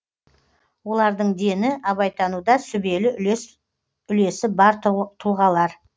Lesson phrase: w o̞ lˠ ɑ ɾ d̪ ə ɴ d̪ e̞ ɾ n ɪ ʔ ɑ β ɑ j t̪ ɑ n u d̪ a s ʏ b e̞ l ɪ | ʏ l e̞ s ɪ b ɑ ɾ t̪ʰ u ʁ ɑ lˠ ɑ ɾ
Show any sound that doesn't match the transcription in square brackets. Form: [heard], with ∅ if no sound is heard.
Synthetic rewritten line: w o̞ lˠ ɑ ɾ d̪ ə ɴ d̪ e̞ [∅] n ɪ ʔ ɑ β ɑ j t̪ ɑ n u d̪ [ɑ] s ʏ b e̞ l ɪ | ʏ l e̞ s ɪ b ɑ ɾ t̪ʰ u ʁ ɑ lˠ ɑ ɾ